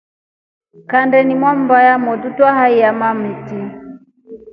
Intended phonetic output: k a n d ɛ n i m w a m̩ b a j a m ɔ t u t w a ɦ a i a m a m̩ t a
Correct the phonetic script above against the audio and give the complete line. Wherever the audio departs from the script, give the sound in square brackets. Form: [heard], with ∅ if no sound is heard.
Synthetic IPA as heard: k a n d ɛ n i m w a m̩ b a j a m ɔ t u t w a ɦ a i a m a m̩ t [i]